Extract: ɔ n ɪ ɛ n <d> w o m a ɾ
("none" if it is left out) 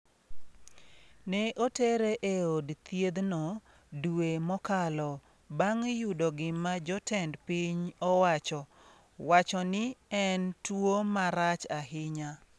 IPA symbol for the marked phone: t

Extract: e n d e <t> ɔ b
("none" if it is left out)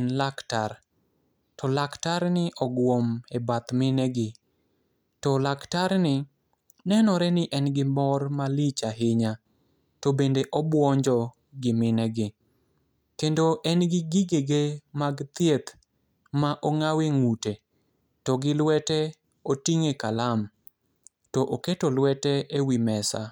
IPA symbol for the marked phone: ʔ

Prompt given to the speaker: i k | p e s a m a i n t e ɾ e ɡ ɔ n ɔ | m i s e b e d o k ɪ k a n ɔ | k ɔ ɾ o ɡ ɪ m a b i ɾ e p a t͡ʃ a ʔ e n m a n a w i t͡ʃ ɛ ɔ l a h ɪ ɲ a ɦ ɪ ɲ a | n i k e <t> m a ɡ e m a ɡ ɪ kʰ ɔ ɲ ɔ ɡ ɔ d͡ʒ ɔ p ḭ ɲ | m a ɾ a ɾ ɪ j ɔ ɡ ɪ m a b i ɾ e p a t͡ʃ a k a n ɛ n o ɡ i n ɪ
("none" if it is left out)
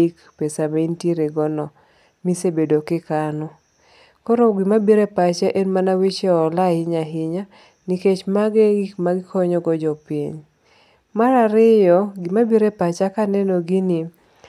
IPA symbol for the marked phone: t͡ʃ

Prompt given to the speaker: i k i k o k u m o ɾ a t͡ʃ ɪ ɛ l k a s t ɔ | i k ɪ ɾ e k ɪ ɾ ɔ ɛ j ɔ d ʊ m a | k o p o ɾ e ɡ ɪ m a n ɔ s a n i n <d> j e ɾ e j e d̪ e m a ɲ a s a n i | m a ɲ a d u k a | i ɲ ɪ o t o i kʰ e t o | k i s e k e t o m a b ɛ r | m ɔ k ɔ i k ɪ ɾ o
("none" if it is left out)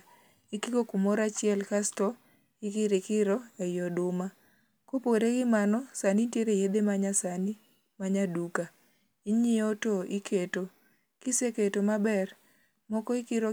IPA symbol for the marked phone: t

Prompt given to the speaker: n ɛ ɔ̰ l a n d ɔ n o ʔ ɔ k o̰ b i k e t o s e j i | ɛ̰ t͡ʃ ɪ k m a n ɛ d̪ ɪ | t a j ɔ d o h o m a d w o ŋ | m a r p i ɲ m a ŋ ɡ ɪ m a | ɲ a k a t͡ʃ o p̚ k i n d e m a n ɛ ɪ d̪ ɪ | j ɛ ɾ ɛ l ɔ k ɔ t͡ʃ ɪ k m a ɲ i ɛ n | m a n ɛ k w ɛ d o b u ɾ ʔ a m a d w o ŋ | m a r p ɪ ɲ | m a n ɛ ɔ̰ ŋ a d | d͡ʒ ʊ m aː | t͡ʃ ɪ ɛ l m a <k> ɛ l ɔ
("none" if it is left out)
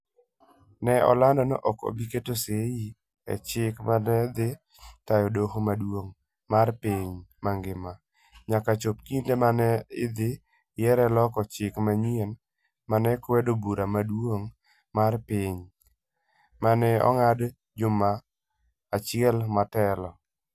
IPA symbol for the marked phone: t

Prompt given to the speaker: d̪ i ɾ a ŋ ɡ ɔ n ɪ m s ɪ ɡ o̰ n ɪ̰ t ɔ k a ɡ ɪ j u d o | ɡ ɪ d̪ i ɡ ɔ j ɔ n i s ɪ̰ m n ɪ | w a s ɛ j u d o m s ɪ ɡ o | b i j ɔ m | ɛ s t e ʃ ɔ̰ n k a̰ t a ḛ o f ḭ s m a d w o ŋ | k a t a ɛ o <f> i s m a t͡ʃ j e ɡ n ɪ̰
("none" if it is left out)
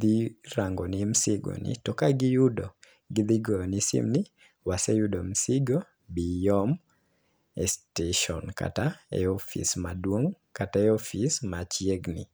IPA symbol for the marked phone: f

